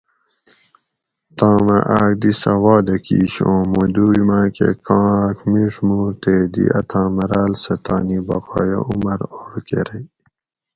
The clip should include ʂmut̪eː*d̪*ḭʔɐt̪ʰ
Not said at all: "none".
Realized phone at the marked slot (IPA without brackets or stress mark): d̪